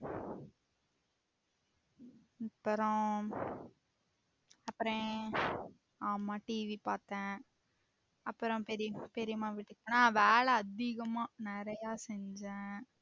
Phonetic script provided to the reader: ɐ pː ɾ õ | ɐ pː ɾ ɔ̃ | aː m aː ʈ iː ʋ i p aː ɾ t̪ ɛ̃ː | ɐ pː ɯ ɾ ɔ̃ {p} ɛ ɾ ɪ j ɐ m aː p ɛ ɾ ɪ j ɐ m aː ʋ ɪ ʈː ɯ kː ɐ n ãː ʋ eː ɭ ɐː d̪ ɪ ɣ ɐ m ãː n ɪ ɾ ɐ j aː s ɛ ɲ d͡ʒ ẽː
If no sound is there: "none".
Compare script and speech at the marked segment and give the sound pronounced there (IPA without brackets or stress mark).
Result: p